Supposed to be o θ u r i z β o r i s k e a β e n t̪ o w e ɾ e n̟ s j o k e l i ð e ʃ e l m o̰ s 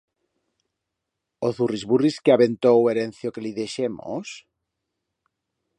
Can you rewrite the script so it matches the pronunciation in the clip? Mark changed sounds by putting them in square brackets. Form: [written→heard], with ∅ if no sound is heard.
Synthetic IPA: o θ u r i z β [o→u] r i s k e a β e n t̪ o w e ɾ e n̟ [s→θ] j o k e l i ð e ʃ e [l→∅] m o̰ s